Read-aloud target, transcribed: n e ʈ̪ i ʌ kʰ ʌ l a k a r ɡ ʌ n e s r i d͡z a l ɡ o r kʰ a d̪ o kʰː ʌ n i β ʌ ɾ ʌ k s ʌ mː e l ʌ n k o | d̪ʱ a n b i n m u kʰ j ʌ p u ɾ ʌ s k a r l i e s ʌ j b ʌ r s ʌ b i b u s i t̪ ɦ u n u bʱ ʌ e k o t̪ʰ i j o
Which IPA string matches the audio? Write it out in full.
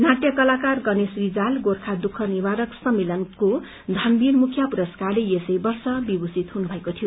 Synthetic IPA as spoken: n a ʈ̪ j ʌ k ʌ l a k a r ɡ ʌ n e s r i d͡z a l ɡ o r kʰ a d̪ u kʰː ʌ n i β a ɾ ʌ k s ʌ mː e l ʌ n k o | d̪ʱ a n b i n m u kʰ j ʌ p u ɾ ʌ s k a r l e e s ʌ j b ʌ r s ʌ b i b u s i t̪ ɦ u n u bʱ ʌ e k o t̪ʰ i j o